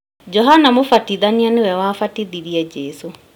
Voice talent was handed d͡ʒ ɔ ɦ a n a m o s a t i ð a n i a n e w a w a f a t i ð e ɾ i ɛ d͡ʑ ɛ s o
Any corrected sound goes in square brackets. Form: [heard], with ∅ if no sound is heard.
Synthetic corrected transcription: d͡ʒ ɔ ɦ a n a m o [f] a t i ð a n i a n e w [ɛ] w a f a t i ð [i] ɾ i ɛ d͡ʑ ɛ s o